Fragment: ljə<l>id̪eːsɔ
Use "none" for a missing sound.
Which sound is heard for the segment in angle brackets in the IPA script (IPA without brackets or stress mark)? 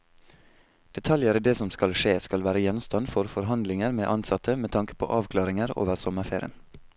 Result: ɾ